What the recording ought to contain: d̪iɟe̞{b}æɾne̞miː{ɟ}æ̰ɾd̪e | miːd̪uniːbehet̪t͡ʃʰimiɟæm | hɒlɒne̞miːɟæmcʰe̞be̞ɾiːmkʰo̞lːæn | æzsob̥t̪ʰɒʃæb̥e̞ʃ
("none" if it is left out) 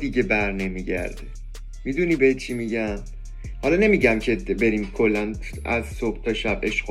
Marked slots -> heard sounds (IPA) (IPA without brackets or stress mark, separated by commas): b, ɟ